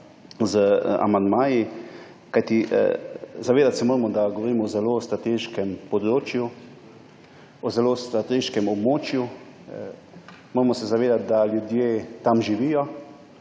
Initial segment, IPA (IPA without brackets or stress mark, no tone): z